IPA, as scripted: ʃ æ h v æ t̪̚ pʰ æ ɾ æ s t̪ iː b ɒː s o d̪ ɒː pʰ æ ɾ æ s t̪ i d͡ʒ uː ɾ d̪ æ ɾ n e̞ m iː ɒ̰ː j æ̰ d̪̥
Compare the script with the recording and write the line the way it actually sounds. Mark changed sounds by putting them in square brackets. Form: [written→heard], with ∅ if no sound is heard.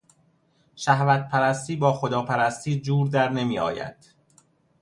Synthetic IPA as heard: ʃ æ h v æ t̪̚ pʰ æ ɾ æ s t̪ iː b ɒː [s→x] o d̪ ɒː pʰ æ ɾ æ s t̪ [i→iː] d͡ʒ uː ɾ d̪ æ ɾ n e̞ m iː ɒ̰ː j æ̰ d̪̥